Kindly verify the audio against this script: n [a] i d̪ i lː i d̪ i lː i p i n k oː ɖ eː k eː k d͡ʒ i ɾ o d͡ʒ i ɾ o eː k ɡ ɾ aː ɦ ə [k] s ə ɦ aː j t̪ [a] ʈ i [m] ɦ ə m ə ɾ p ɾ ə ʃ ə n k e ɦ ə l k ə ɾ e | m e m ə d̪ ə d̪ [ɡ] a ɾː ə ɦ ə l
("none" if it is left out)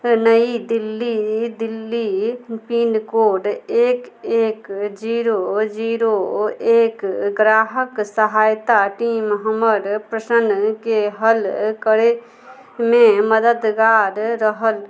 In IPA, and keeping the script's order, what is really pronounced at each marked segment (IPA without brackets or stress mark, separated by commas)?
ə, k, a, m, ɡ